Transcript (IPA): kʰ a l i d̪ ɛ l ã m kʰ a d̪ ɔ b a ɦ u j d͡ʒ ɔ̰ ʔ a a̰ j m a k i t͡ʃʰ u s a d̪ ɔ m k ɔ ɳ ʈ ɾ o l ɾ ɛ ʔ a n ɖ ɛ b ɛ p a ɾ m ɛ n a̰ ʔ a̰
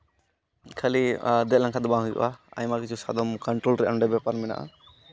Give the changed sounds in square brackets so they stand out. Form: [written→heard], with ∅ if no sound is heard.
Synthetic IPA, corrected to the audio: kʰ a l i d̪ ɛ l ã [m→ŋ] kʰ a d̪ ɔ b a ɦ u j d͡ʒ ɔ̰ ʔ a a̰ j m a k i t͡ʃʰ u s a d̪ ɔ m k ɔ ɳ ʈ ɾ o l ɾ ɛ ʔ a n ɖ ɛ b ɛ p a ɾ m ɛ n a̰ ʔ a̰